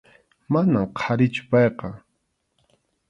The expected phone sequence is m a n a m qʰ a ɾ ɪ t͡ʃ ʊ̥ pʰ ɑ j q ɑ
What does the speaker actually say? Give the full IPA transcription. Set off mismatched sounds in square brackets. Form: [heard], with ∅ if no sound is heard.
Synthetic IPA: m a n a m qʰ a ɾ ɪ t͡ʃ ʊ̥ [p] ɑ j q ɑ